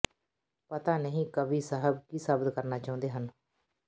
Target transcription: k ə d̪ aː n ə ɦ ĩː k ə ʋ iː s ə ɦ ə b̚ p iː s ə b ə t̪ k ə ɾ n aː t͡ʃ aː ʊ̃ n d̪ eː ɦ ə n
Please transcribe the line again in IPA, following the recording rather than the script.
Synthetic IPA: p ə t̪ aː n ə ɦ ĩː k ə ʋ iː s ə ɦ ə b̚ k iː s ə b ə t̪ k ə ɾ n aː t͡ʃ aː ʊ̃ n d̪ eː ɦ ə n

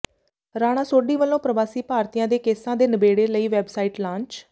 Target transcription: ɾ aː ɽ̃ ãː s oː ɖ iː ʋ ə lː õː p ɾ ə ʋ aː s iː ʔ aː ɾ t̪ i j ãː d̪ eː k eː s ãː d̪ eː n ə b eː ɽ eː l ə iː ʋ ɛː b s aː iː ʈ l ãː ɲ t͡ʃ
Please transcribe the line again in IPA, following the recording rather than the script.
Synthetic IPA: ɾ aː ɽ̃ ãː s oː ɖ iː ʋ ə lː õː p ɾ ə ʋ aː s iː p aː ɾ t̪ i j ãː d̪ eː k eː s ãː d̪ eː n ə b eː ɽ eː l ə iː ʋ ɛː b s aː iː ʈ l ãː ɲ t͡ʃ

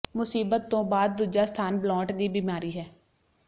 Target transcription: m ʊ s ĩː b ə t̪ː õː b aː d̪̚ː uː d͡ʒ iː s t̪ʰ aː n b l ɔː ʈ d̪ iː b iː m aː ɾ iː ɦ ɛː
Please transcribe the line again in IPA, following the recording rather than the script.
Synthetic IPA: m ʊ s iː b ə t̪ː õː b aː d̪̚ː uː d͡ʒ aː s t̪ʰ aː n b l ɔː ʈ d̪ iː b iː m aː ɾ iː ɦ ɛː

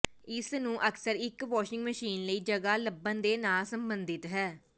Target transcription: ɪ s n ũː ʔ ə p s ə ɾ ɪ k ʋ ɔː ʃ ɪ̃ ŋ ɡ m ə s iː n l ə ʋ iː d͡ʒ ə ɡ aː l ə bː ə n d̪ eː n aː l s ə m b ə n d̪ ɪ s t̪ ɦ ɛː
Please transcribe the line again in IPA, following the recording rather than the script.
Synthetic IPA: ɪ s n ũː ʔ ə k s ə ɾ ɪ k ʋ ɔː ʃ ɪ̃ ŋ ɡ m ə ʃ iː n l ə iː d͡ʒ ə ɡ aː l ə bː ə n d̪ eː n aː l s ə m b ə n d̪ ɪ t̪ ɦ ɛː

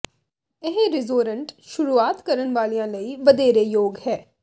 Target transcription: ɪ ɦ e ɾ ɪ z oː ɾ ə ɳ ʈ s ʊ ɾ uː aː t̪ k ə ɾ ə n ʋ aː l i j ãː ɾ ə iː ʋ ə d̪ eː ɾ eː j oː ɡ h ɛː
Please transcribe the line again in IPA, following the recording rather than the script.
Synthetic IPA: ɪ ɦ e ɾ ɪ z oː ɾ ə ɳ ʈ ʃ ʊ ɾ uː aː t̪ k ə ɾ ə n ʋ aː l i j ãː l ə iː ʋ ə d̪ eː ɾ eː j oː ɡ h ɛː

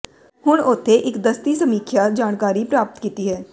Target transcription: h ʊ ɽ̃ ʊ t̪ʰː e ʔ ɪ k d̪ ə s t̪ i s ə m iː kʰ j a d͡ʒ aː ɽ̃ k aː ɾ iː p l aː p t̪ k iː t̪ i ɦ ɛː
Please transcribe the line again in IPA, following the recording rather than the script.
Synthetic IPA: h ʊ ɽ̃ ʊ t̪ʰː e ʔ ɪ k d̪ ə s t̪ i s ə m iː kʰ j a d͡ʒ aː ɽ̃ k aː ɾ i p ɾ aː p t̪ k iː t̪ i ɦ ɛː

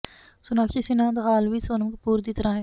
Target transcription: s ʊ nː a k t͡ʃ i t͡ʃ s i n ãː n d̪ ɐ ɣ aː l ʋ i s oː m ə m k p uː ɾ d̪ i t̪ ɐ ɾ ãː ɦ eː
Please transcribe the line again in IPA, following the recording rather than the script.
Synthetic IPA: s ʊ n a k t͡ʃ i s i n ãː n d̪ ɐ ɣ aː l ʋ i s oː n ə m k p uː ɾ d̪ i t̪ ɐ ɾ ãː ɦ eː

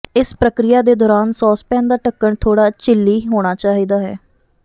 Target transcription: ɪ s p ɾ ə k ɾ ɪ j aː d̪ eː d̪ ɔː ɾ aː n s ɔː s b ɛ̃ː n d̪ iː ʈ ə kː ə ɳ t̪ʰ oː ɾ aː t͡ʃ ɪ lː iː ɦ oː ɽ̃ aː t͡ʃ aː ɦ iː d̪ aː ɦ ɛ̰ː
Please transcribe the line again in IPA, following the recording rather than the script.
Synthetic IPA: ɪ s p ɾ ə k ɾ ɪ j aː d̪ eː d̪ ɔː ɾ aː n s ɔː s p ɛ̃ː n d̪ aː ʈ ə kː ə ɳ t̪ʰ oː ɽ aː t͡ʃ ɪ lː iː ɦ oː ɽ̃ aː t͡ʃ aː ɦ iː d̪ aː ɦ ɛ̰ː

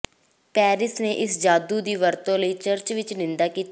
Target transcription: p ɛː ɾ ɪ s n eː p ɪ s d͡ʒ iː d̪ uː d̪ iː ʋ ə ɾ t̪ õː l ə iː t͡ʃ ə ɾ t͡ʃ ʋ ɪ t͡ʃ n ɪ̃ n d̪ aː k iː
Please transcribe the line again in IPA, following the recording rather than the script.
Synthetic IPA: p ɛː ɾ ɪ s n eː ʔ ɪ s d͡ʒ aː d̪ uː d̪ iː ʋ ə ɾ t̪ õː l ə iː t͡ʃ ə ɾ t͡ʃ ʋ ɪ t͡ʃ n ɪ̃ n d̪ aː k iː

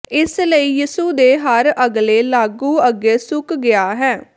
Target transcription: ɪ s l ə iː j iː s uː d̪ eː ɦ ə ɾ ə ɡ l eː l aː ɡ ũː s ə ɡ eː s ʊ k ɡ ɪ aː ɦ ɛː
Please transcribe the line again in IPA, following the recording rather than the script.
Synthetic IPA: ɪ s l ə iː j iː s uː d̪ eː ɦ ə ɾ ə ɡ l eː l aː ɡ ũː ə ɡ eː s ʊ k ɡ ɪ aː ɦ ɛː

